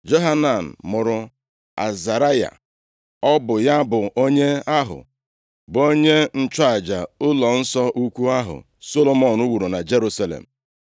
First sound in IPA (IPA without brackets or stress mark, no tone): d͡ʒ